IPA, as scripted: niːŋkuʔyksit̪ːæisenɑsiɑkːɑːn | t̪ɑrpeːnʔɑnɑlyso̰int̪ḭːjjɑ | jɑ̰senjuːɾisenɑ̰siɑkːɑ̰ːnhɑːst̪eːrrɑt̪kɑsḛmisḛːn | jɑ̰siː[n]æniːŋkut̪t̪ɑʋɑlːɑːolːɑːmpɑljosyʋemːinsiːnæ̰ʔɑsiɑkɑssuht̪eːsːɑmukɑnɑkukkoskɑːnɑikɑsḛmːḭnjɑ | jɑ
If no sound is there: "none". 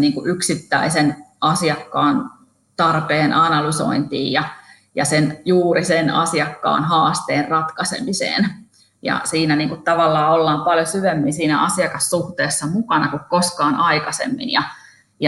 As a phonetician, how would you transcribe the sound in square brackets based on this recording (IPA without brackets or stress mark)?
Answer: n